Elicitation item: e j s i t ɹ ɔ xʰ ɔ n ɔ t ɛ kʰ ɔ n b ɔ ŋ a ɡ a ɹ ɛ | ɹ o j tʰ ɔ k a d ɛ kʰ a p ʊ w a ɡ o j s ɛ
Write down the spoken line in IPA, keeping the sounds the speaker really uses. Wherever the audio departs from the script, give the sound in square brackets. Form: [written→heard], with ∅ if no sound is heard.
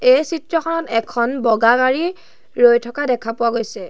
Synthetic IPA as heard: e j s i t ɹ ɔ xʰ ɔ n ɔ t ɛ kʰ ɔ n b ɔ [ŋ→ɡ] a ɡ a ɹ [ɛ→i] | ɹ o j tʰ ɔ k a d ɛ kʰ a p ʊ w a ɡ o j s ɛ